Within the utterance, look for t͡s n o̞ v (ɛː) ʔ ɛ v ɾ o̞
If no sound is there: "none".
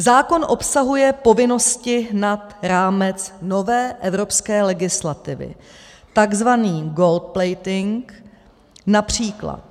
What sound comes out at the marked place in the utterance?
ɛː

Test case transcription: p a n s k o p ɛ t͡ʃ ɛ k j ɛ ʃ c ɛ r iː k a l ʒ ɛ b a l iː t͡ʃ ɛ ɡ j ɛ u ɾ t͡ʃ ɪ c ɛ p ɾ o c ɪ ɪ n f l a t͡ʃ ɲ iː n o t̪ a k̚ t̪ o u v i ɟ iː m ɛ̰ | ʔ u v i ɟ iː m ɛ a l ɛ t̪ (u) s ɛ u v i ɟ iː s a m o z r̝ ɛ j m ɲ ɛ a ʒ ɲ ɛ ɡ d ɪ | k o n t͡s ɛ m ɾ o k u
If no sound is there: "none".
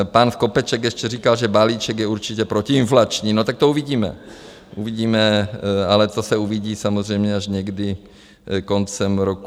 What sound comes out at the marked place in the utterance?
o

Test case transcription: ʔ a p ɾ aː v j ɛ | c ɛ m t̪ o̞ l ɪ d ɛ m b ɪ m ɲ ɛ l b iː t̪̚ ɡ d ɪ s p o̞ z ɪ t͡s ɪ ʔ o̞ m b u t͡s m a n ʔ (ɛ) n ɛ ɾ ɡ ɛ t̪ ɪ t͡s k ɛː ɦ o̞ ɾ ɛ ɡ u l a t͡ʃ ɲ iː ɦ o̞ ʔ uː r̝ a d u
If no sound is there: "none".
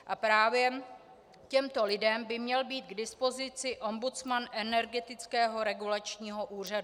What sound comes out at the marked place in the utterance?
ɛ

